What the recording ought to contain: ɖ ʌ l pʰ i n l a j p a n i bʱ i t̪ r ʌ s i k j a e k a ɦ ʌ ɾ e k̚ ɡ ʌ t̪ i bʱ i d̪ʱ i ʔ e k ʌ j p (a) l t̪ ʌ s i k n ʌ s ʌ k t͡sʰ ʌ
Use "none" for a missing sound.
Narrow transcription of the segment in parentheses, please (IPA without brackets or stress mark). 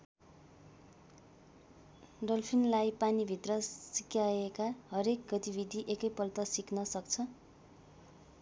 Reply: ʌ